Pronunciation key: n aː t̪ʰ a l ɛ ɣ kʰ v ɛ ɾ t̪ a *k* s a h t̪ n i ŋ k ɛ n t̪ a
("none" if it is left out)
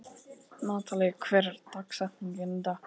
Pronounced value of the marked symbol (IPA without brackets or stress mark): k